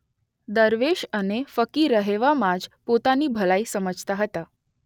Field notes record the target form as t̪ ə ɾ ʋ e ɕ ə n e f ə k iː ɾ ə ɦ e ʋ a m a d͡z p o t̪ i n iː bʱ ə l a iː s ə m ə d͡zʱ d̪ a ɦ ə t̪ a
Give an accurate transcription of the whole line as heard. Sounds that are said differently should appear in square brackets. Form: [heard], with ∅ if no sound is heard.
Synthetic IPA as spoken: [d̪] ə ɾ ʋ e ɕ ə n e f ə k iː ɾ ə ɦ e ʋ a m a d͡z p o t̪ [a] n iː bʱ ə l a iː s ə m ə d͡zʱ [t̪] a ɦ ə t̪ a